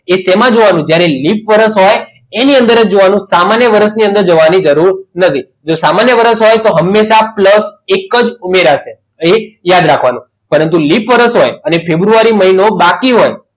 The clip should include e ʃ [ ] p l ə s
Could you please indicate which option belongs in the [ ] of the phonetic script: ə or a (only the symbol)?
a